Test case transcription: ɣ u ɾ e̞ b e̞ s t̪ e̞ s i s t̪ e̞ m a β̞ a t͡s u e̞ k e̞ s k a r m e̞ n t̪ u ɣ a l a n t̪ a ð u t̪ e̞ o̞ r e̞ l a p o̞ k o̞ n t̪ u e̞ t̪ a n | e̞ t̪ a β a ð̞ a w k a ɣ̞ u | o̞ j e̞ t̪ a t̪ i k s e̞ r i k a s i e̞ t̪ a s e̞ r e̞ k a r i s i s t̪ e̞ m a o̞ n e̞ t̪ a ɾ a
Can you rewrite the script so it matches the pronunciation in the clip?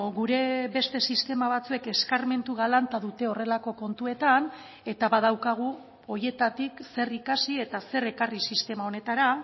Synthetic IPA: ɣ u ɾ e̞ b e̞ s t̪ e̞ s i s t̪ e̞ m a β̞ a t͡s u e̞ k e̞ s k a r m e̞ n t̪ u ɣ a l a n t̪ a ð u t̪ e̞ o̞ r e̞ l a k o̞ k o̞ n t̪ u e̞ t̪ a n | e̞ t̪ a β a ð̞ a w k a ɣ̞ u | o̞ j e̞ t̪ a t̪ i k s e̞ r i k a s i e̞ t̪ a s e̞ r e̞ k a r i s i s t̪ e̞ m a o̞ n e̞ t̪ a ɾ a